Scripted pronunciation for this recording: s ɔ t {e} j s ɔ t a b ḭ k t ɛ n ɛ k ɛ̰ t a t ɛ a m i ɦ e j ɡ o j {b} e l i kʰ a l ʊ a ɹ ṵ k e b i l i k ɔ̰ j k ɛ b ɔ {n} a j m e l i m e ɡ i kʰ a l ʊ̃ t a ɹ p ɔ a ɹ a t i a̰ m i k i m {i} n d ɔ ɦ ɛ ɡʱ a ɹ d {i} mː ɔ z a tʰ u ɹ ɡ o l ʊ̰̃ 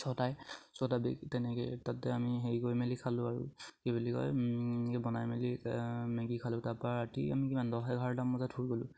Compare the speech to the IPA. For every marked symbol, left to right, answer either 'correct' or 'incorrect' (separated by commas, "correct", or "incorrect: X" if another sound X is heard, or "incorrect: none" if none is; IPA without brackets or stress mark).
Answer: incorrect: a, incorrect: m, correct, incorrect: a, incorrect: a